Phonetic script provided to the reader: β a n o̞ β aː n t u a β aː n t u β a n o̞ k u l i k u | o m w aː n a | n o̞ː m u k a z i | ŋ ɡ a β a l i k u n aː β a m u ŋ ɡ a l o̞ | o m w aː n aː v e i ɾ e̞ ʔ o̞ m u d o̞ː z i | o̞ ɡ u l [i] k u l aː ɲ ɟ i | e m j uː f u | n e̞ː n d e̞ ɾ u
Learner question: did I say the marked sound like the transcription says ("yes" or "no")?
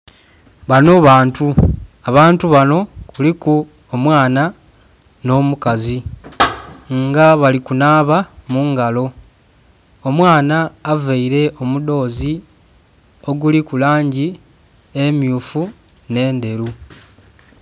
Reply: yes